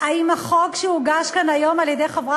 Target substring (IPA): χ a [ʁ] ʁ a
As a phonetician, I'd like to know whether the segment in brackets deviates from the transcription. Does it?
yes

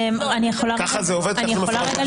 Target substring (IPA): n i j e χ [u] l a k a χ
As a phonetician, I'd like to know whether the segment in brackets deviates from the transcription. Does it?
yes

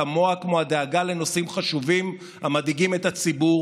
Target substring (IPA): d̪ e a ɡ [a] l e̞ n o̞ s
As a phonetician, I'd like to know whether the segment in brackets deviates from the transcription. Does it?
no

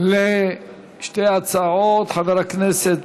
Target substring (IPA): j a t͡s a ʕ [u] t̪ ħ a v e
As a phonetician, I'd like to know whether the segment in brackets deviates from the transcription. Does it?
yes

